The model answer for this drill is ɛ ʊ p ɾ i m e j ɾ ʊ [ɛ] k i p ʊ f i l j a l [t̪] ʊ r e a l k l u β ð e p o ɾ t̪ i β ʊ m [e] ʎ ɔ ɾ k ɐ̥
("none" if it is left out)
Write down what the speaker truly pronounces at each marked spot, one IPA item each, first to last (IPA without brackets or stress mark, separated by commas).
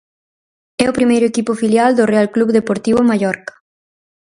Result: e, d̪, a